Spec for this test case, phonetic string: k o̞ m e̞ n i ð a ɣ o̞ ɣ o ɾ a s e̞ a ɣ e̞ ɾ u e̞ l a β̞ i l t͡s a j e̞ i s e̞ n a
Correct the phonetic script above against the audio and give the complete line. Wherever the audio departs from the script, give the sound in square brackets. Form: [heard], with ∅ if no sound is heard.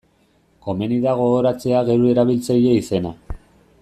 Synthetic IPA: k o̞ m e̞ n i ð a ɣ o̞ ɣ o ɾ a [t͡s] e̞ a ɣ e̞ ɾ u e̞ [ɾ] a β̞ i l t͡s a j e̞ i s e̞ n a

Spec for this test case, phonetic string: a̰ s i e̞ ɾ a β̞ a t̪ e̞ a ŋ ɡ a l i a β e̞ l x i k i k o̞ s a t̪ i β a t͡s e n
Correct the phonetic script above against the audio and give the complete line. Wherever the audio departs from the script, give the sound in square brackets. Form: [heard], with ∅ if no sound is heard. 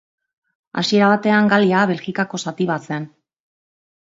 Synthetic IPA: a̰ s i e̞ ɾ a β̞ a t̪ e̞ a ŋ ɡ a l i a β e̞ l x i k [a] k o̞ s a t̪ i β a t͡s e n

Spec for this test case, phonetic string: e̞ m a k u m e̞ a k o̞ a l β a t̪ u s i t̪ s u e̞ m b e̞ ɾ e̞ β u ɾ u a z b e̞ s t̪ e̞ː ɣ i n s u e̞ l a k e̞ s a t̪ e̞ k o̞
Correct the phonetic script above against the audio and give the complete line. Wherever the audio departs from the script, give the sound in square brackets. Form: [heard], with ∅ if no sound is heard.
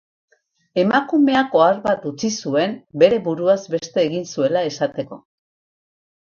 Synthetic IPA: e̞ m a k u m e̞ a k o̞ a [ɾ] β a t̪ u [t͡s] i [∅] s u e̞ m b e̞ ɾ e̞ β u ɾ u a z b e̞ s t̪ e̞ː ɣ i n s u e̞ l a [∅] e̞ s a t̪ e̞ k o̞

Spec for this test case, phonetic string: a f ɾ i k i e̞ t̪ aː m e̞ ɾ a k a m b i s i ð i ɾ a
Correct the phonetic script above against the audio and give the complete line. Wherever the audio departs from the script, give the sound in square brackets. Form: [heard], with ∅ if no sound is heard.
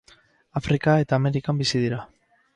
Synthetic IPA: a f ɾ i k [a] e̞ t̪ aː m e̞ ɾ [i] k a m b i s i ð i ɾ a

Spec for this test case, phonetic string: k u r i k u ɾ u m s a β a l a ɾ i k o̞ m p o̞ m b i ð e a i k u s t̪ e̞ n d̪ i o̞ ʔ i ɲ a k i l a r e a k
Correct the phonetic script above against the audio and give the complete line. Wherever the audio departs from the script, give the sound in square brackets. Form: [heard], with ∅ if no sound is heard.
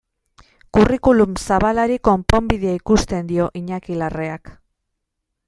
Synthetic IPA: k u r i k u [l] u m s a β a l a ɾ i k o̞ m p o̞ m b i ð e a i k u s t̪ e̞ n d̪ i o̞ ʔ i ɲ a k i l a r e a k

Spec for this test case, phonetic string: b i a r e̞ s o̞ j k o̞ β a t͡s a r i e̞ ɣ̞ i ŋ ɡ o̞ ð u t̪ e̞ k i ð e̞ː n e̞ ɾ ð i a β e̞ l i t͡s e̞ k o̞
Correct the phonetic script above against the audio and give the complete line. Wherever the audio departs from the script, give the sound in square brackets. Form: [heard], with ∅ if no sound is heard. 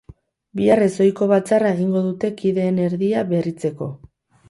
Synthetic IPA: b i a r e̞ s o̞ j k o̞ β a t͡s a r [a] e̞ ɣ̞ i ŋ ɡ o̞ ð u t̪ e̞ k i ð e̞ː n e̞ ɾ ð i a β e̞ [r] i t͡s e̞ k o̞

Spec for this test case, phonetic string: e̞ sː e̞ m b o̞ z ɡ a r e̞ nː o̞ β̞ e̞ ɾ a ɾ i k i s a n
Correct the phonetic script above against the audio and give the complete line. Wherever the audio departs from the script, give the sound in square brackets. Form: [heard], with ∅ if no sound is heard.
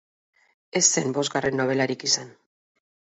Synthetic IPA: e̞ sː e̞ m b o̞ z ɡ a r e̞ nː o̞ β̞ e̞ [l] a ɾ i k i s a n

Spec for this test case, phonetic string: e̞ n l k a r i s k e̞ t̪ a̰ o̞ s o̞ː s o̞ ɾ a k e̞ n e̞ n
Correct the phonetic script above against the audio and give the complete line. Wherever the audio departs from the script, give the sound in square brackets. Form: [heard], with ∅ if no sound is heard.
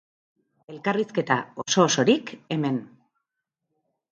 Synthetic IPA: e̞ [∅] l k a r i s k e̞ t̪ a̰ o̞ s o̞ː s o̞ ɾ [i] k e̞ [m] e̞ n

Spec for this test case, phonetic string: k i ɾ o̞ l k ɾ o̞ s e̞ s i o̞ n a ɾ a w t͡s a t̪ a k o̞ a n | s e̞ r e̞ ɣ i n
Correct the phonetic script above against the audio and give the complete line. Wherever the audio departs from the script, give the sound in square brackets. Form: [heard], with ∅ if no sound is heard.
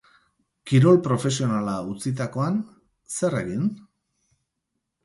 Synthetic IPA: k i ɾ o̞ l [p] ɾ o̞ [f] e̞ s i o̞ n a [l] a [u] t͡s [i] t̪ a k o̞ a n | s e̞ r e̞ ɣ i n

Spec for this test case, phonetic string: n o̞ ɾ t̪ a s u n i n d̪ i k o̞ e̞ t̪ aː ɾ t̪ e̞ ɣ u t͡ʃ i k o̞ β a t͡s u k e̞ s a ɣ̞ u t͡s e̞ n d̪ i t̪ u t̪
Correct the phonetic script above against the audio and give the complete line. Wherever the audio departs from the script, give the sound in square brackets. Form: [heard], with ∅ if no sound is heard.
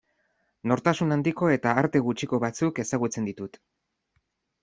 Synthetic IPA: n o̞ ɾ t̪ a s u n [a] n d̪ i k o̞ e̞ t̪ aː ɾ t̪ e̞ ɣ u t͡ʃ i k o̞ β a t͡s u k e̞ s a ɣ̞ u t͡s e̞ n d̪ i t̪ u t̪

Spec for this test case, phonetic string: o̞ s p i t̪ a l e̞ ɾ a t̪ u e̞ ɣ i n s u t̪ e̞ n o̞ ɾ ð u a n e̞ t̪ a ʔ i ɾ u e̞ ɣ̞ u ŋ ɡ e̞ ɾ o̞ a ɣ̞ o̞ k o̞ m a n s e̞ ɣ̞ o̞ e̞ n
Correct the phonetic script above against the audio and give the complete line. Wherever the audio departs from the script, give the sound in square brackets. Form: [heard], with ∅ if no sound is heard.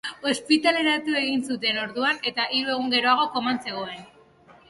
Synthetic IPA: o̞ s p i t̪ a l e̞ ɾ a t̪ u e̞ ɣ i n s u t̪ e̞ n o̞ ɾ ð u a n e̞ t̪ a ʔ i ɾ u e̞ ɣ̞ u ŋ ɡ e̞ ɾ o̞ a ɣ̞ o̞ k o̞ m a n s e̞ ɣ̞ o̞ e̞ n

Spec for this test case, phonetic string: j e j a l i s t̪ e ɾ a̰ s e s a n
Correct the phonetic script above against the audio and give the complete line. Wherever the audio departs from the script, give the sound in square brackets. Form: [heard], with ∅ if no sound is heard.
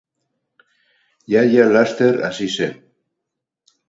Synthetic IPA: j [a] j a l [a] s t̪ e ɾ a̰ s [i] s [e] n

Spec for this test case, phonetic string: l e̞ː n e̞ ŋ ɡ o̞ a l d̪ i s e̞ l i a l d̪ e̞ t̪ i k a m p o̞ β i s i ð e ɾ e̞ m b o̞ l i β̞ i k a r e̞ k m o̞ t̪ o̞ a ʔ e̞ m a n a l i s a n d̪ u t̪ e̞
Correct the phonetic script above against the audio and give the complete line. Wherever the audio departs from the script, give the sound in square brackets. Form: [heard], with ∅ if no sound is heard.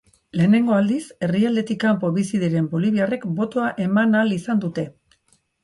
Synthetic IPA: l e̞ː n e̞ ŋ ɡ o̞ a l d̪ i s e̞ [r] i a l d̪ e̞ t̪ i k a m p o̞ β i s i ð e ɾ e̞ m b o̞ l i β̞ i [∅] a r e̞ k [b] o̞ t̪ o̞ a ʔ e̞ m a n a l i s a n d̪ u t̪ e̞

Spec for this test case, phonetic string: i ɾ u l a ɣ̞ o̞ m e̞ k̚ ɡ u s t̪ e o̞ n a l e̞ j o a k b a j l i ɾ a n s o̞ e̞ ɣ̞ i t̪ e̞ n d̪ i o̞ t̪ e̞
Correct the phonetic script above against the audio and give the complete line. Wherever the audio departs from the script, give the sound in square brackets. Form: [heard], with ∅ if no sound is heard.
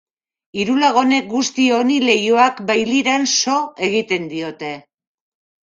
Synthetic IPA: i ɾ u l a ɣ̞ o̞ [n] e̞ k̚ ɡ u s t̪ [i] o̞ n [i] l e̞ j o a k b a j l i ɾ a n s o̞ e̞ ɣ̞ i t̪ e̞ n d̪ i o̞ t̪ e̞

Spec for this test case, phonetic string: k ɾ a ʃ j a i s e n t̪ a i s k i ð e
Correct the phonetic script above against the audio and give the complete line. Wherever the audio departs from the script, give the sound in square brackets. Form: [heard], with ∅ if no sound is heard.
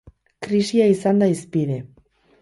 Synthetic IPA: k ɾ [i] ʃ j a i s [a] n [d̪] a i s [p] i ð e

